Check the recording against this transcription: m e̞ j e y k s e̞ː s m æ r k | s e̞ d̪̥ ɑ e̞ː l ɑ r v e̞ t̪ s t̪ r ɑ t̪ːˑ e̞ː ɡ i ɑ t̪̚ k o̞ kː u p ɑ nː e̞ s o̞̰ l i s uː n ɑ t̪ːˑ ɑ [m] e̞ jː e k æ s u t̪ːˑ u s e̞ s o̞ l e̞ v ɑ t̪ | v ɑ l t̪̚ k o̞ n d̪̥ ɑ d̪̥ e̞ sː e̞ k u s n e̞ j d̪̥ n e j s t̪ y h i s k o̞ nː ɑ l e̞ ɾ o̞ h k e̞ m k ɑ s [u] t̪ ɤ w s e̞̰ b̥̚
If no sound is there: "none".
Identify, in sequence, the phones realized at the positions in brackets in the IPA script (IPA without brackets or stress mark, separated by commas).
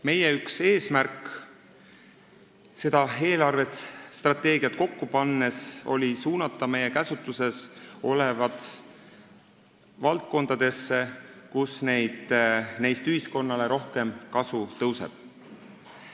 m, u